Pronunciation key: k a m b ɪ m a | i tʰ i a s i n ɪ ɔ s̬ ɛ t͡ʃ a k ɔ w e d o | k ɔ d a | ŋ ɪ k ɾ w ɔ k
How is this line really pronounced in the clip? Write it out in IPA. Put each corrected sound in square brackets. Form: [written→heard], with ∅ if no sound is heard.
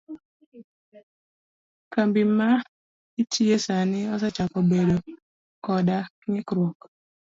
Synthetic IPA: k a m b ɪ m a | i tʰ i [a→e] s [i→a] n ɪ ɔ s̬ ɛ t͡ʃ a k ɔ [w→b] e d o | k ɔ d a | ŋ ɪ k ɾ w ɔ k